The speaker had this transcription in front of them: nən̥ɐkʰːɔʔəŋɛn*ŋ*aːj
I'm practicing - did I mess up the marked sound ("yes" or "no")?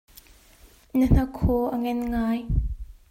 no